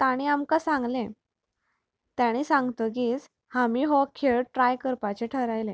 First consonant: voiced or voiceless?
voiceless